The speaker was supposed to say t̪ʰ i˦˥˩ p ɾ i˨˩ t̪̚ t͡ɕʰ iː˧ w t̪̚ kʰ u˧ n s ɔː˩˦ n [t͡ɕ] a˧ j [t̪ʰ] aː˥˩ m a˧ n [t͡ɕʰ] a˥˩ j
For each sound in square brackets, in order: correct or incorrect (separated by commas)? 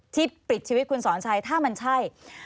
incorrect, correct, correct